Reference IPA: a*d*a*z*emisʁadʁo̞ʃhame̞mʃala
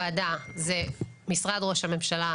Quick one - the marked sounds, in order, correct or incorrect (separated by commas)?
correct, correct